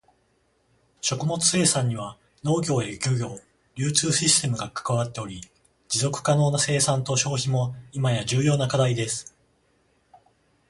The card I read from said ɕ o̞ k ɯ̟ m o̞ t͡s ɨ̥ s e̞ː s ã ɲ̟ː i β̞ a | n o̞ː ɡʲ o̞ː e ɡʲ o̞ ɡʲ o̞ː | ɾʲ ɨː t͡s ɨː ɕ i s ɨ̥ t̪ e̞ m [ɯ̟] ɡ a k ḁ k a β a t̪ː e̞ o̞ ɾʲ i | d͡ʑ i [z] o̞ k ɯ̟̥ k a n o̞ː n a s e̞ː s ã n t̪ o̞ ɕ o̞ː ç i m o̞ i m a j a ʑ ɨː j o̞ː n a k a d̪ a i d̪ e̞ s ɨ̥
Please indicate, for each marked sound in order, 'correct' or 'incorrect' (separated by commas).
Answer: correct, correct